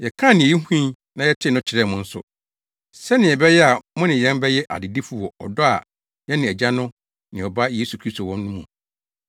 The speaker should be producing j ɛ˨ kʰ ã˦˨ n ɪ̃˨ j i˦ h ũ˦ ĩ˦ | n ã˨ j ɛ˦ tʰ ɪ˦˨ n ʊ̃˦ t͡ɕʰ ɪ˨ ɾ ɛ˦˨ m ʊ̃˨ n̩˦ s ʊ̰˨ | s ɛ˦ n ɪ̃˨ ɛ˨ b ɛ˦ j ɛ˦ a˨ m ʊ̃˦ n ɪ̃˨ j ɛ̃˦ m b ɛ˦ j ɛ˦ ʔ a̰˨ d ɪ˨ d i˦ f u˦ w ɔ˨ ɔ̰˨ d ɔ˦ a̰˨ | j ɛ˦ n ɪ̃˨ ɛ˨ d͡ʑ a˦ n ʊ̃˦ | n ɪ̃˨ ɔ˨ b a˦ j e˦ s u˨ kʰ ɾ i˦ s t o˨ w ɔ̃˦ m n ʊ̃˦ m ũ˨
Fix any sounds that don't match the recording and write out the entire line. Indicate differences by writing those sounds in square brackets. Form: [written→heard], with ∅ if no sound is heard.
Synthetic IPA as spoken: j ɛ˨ kʰ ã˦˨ n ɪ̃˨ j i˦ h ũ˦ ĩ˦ | n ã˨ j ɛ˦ tʰ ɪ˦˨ n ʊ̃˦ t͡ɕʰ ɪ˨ ɾ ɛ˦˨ m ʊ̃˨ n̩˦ s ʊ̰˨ | s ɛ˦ n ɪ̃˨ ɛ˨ b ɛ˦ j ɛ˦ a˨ m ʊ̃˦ n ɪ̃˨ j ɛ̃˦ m b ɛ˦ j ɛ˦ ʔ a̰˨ d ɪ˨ d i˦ f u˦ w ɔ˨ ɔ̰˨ d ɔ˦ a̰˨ | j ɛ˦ n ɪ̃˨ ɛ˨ d͡ʑ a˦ n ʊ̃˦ | n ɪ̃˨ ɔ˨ b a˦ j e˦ s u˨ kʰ ɾ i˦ s t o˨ w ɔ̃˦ m n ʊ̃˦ m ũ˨